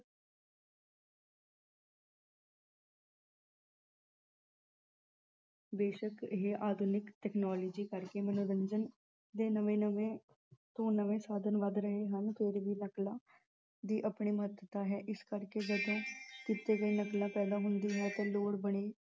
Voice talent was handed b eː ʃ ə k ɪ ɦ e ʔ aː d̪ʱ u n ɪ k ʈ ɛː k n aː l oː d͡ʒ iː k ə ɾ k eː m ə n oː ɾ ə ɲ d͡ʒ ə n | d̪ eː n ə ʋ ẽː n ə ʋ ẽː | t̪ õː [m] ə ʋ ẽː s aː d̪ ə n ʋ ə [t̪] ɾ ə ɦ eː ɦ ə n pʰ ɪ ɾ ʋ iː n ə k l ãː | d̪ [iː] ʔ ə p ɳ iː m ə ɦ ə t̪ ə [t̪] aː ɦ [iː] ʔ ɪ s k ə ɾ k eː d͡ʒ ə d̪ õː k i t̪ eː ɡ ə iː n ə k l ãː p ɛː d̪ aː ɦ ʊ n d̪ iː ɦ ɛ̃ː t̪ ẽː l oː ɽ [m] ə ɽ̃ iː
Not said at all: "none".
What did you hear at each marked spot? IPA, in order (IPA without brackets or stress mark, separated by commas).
n, d̪, iː, t̪, ɛː, b